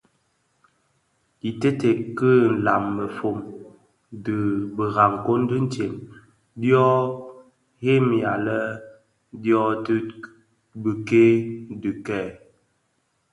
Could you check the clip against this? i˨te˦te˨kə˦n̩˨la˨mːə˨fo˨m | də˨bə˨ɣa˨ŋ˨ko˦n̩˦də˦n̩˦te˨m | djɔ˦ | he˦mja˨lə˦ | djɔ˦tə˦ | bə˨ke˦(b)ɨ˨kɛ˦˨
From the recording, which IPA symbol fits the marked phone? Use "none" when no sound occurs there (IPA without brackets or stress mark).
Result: d